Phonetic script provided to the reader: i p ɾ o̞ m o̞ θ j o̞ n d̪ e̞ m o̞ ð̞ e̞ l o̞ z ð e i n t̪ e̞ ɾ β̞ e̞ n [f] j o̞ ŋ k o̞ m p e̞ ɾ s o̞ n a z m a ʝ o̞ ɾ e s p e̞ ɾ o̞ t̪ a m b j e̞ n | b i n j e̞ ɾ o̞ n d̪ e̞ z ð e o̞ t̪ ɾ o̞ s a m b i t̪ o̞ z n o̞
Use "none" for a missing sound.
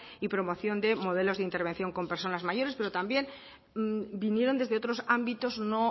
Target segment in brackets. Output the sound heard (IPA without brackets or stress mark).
θ